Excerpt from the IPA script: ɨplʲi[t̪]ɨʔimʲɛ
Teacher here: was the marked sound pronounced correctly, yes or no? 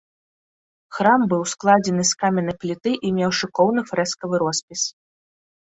yes